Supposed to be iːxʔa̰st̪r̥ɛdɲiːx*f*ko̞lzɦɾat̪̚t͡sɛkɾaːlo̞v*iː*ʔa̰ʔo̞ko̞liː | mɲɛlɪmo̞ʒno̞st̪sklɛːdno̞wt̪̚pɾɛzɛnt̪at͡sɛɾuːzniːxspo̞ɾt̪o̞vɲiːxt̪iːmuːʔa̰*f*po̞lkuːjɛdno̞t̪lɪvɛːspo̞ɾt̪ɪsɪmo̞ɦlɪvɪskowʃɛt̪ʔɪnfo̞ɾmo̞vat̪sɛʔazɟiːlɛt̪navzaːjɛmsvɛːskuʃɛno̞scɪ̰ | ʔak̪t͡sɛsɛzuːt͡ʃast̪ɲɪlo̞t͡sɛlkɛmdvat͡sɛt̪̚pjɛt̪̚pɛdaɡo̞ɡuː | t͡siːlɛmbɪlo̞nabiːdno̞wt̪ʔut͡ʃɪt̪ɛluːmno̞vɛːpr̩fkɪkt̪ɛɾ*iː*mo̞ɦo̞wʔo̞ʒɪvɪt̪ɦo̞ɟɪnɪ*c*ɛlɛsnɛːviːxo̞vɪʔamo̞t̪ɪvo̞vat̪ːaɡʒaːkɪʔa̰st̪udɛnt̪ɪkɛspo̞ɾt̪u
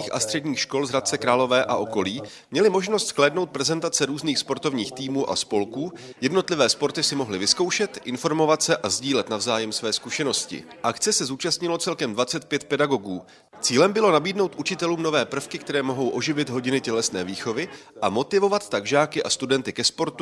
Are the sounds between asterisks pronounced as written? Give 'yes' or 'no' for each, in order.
no, no, no, no, yes

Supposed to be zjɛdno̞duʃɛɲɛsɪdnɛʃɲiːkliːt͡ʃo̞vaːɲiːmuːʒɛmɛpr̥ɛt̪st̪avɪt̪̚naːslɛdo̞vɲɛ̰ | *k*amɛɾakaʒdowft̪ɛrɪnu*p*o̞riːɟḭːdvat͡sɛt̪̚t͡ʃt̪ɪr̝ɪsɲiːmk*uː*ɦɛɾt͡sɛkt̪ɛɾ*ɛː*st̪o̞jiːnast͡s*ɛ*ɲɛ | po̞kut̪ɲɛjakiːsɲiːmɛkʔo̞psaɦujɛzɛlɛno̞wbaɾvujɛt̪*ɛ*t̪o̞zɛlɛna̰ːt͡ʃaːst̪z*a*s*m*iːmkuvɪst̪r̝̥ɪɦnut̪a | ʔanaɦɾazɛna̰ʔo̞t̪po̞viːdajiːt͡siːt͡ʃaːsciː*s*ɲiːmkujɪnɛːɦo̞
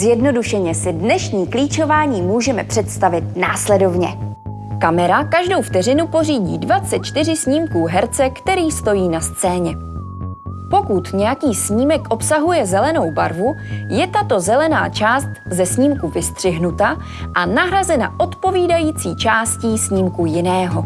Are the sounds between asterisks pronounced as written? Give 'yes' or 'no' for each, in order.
yes, yes, yes, no, no, no, no, no, yes

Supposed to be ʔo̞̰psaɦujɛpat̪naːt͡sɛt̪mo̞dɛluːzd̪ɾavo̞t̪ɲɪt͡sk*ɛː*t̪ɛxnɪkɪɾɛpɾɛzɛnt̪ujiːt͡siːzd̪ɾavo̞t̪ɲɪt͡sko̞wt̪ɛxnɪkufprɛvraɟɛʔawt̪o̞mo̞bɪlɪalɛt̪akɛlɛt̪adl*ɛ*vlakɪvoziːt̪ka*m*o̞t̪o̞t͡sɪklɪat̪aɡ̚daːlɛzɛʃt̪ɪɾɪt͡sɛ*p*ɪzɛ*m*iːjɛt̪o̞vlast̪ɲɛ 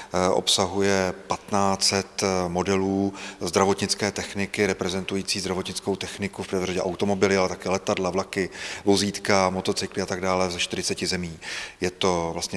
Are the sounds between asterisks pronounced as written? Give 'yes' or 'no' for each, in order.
yes, no, yes, no, yes

